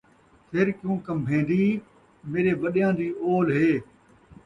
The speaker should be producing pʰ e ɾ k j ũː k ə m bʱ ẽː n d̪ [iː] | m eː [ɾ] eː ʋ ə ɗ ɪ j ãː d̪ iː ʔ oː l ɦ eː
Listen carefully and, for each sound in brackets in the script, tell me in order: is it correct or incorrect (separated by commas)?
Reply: correct, correct